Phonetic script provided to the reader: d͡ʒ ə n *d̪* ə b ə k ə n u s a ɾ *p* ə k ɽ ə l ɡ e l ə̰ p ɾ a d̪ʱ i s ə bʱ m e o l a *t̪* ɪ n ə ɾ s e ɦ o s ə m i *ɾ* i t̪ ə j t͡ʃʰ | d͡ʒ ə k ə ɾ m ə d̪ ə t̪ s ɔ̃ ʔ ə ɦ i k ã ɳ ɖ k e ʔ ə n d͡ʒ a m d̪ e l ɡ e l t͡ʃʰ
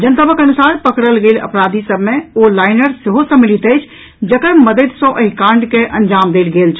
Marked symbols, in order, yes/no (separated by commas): no, yes, no, no